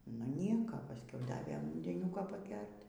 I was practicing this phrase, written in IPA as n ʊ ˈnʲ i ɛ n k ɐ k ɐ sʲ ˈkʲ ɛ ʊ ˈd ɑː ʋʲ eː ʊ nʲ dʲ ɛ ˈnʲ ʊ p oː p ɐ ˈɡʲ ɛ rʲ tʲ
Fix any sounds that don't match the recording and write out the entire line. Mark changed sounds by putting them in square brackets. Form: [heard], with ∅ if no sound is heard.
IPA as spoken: n ʊ ˈnʲ i ɛ [∅] k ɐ [p] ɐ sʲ ˈkʲ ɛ ʊ ˈd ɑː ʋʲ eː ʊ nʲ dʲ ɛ ˈnʲ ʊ [k] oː p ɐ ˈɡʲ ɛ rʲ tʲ